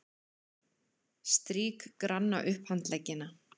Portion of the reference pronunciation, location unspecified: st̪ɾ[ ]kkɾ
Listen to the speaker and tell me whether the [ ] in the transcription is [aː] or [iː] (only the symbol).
iː